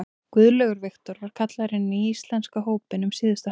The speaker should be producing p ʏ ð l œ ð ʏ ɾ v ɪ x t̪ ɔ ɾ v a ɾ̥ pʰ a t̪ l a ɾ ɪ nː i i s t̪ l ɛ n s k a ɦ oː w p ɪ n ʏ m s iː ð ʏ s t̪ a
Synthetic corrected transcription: k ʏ ð l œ ɣ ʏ ɾ v ɪ x t̪ ɔ ɾ v a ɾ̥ kʰ a t̪ l a ɾ ɪ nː i i s t̪ l ɛ n s k a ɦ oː w p ɪ n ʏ m s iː ð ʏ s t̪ a